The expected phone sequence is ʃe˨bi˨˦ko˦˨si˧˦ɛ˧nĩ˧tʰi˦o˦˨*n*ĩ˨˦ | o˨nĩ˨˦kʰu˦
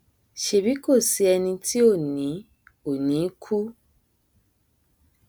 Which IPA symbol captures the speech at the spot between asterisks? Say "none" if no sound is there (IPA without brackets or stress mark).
n